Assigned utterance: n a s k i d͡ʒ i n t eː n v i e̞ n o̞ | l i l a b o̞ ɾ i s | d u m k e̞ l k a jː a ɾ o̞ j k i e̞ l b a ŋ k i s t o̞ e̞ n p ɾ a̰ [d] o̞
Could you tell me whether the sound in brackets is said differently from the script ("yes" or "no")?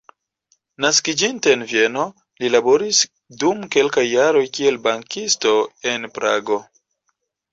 yes